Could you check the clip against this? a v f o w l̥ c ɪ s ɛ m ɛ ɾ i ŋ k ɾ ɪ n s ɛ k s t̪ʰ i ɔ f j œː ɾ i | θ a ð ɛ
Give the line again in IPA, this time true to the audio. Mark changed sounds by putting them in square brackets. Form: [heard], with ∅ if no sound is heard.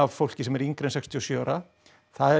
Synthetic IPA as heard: a v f o w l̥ c ɪ s ɛ m ɛ ɾ i ŋ k ɾ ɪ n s ɛ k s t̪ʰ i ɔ [s] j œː ɾ [a] | θ a ð ɛ